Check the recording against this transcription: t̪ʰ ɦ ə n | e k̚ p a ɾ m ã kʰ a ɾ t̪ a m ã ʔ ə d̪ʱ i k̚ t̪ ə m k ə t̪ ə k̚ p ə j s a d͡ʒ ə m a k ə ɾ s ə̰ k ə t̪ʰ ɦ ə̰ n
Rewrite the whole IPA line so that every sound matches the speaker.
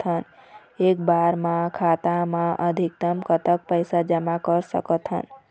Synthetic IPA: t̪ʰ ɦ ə n | e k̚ b a ɾ m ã kʰ a t̪ a m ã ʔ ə d̪ʱ i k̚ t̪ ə m k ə t̪ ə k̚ p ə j s a d͡ʒ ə m a k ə ɾ s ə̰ k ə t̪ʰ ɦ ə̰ n